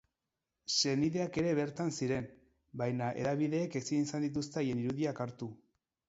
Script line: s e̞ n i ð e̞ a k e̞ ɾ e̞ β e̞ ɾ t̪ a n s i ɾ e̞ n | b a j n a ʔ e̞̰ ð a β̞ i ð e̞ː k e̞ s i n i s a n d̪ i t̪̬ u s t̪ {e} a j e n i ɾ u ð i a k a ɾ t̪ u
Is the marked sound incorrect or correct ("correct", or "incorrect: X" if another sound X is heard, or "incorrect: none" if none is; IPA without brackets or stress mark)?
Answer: correct